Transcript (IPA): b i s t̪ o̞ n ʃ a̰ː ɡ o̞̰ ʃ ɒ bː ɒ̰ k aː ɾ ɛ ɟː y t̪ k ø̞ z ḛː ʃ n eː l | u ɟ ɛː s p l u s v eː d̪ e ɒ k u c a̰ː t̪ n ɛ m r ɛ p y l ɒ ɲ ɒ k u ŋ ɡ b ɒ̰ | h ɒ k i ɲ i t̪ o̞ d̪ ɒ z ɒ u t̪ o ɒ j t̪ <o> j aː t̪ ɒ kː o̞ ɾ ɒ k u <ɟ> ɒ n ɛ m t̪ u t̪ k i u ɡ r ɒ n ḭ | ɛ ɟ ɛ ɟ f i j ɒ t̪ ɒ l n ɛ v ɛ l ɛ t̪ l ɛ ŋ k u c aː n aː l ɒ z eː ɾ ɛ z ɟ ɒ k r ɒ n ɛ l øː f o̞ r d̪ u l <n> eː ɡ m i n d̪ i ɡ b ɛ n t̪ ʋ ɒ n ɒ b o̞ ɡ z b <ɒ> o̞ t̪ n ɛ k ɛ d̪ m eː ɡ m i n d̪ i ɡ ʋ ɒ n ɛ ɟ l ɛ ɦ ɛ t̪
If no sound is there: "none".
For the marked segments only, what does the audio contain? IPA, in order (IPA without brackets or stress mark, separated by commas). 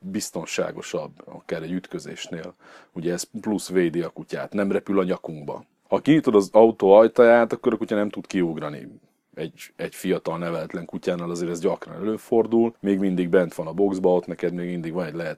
ɒ, c, m, ɒ